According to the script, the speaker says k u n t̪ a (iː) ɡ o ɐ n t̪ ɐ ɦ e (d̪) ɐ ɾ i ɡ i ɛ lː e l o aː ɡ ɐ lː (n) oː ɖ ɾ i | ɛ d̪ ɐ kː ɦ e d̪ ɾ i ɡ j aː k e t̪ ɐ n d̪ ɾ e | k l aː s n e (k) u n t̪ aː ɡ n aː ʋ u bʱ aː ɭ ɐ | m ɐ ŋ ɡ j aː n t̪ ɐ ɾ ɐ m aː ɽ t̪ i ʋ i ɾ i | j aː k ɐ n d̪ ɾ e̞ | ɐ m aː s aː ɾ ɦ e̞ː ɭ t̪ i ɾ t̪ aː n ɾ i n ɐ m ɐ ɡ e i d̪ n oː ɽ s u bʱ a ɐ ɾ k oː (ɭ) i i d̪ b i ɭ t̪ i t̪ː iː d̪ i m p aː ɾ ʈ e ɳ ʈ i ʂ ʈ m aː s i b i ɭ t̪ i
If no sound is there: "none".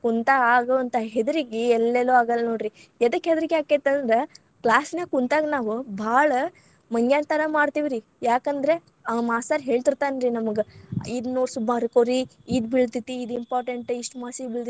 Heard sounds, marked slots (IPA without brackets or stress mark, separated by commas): aː, d̪, n, k, ɾ